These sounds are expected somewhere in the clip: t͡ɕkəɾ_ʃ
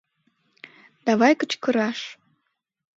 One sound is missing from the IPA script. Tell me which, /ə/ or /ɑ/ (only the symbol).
ɑ